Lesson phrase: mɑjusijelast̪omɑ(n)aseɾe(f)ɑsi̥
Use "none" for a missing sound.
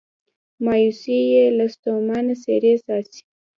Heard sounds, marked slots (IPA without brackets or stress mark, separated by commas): n, s